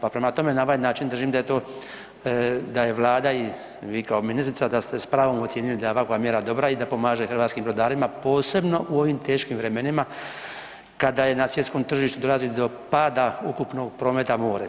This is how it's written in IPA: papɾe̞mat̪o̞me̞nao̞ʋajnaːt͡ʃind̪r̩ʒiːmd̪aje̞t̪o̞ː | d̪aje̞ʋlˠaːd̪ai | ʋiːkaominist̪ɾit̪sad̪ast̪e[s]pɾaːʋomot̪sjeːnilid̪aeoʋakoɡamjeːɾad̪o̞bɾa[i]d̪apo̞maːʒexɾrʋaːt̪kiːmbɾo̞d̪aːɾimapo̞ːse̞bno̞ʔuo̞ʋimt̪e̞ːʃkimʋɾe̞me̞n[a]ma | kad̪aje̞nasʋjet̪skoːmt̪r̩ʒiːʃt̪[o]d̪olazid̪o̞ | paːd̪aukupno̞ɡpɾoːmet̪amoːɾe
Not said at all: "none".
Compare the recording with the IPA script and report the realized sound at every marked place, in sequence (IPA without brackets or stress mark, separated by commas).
s, i, i, u